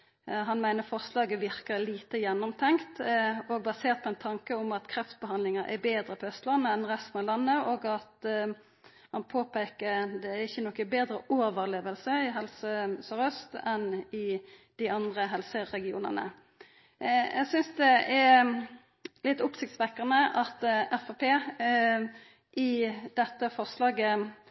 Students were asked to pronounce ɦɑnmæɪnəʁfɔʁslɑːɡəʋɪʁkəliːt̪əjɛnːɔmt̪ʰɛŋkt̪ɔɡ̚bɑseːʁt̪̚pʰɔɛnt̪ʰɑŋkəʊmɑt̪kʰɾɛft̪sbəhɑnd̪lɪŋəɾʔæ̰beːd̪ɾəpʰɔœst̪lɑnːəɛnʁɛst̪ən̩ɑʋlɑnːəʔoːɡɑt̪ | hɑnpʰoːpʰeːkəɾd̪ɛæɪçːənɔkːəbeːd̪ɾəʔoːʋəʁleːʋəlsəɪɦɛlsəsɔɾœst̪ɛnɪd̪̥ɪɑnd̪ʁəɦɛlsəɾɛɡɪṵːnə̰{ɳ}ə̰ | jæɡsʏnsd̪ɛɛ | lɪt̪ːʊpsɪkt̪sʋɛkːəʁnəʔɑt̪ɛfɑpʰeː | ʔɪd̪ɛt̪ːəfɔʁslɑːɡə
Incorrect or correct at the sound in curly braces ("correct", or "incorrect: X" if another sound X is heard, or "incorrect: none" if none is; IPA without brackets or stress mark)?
incorrect: n